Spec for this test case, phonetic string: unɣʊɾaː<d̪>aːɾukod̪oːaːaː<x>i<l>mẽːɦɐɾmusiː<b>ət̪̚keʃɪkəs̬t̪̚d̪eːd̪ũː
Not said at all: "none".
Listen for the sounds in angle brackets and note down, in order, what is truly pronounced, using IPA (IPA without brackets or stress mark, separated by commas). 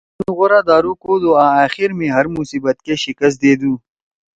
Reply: d̪, x, ɾ, b